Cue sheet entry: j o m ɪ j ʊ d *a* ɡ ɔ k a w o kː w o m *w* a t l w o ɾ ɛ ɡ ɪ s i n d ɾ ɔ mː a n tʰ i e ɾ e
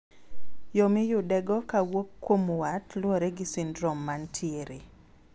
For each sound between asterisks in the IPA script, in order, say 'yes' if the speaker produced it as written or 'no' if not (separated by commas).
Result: no, yes